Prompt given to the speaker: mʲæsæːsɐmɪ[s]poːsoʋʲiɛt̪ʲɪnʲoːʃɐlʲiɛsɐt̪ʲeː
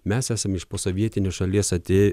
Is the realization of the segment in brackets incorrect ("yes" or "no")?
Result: yes